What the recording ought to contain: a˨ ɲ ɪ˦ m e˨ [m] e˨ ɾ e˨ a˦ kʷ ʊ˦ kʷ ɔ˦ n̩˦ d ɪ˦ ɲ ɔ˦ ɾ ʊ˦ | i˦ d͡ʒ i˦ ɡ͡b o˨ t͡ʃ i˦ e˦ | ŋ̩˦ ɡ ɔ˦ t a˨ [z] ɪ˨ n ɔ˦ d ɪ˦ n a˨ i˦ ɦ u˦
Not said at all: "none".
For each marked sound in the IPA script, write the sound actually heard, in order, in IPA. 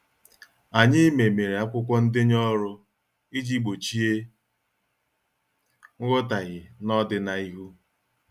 m, ɣ

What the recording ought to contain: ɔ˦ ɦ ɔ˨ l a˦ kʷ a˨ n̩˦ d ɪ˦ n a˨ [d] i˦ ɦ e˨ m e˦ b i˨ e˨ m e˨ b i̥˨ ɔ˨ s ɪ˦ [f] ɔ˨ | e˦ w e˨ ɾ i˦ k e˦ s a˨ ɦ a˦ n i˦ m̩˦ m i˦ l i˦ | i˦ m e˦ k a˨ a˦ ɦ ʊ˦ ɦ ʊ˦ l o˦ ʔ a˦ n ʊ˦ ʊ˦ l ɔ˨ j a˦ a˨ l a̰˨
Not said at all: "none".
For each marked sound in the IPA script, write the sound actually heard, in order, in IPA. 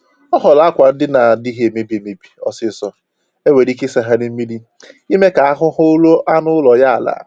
d, s

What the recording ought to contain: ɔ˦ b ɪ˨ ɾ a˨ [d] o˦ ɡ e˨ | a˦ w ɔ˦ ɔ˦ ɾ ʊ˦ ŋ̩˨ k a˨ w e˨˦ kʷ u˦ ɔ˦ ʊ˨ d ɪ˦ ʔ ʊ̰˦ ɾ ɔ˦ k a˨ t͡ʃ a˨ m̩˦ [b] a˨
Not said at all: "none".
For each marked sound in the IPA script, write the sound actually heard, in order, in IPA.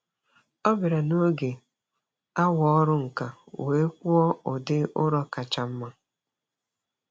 n, m

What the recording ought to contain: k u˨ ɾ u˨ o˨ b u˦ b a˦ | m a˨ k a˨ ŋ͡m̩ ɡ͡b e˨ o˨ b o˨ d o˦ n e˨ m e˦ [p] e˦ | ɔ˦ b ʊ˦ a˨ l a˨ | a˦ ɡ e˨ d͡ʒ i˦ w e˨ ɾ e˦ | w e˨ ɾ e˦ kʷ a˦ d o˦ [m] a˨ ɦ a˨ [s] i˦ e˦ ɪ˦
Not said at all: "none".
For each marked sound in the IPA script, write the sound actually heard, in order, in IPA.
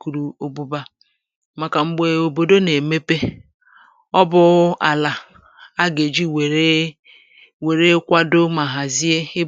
p, m, z

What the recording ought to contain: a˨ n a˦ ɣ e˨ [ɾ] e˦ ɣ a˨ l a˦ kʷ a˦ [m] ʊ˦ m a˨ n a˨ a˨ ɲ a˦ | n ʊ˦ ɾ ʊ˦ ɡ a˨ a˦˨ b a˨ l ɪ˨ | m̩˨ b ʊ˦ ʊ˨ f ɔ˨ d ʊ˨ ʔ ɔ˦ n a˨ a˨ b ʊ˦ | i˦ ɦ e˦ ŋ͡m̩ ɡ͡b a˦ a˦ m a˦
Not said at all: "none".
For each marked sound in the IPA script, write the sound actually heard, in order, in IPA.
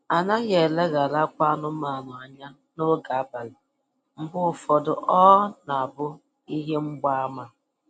l, n

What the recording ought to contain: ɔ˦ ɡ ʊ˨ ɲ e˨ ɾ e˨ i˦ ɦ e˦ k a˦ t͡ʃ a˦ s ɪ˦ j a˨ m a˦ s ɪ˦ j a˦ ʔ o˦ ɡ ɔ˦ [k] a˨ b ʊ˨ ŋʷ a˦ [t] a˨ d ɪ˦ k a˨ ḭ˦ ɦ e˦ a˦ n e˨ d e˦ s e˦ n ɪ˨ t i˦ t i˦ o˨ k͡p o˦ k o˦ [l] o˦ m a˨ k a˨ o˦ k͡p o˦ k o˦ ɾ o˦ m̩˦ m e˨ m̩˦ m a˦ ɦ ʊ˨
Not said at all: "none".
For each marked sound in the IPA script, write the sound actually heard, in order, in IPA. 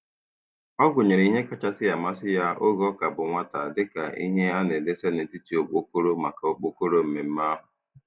k, t, ɾ

